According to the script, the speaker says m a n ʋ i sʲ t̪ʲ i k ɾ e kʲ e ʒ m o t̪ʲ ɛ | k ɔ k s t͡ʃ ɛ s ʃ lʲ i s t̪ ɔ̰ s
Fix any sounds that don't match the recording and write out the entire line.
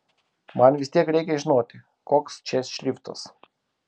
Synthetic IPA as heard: m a n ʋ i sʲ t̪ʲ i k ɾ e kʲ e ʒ n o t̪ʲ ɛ | k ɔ k s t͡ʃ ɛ s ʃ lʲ i f t̪ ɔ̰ s